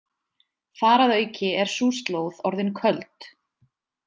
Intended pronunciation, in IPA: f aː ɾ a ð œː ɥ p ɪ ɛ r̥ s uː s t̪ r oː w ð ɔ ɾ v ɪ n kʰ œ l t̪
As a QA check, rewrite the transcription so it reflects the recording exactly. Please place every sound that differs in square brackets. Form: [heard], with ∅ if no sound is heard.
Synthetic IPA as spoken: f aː ɾ a ð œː ɥ [c] ɪ ɛ [ɾ̥] s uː s t̪ [l] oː w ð ɔ ɾ [ð] ɪ n kʰ œ l t̪